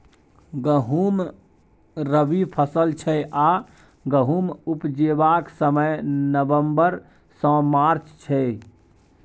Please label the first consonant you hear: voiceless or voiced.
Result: voiced